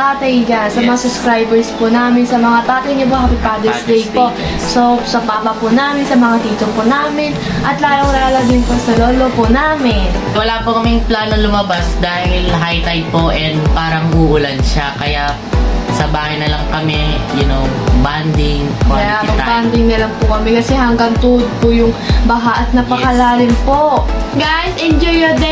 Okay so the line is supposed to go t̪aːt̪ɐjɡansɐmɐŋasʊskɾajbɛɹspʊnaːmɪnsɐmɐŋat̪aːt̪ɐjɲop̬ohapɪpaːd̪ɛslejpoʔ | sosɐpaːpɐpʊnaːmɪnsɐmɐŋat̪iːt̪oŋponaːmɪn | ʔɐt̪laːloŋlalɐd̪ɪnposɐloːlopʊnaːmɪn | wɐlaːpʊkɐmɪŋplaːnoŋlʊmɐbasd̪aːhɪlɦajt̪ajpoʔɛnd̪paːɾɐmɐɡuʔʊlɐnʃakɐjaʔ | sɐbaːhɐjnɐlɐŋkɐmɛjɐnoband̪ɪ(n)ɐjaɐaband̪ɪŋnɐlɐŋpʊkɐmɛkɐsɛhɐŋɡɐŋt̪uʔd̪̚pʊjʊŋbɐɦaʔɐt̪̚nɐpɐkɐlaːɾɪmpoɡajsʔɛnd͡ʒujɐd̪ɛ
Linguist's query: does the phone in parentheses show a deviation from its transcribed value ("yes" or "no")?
yes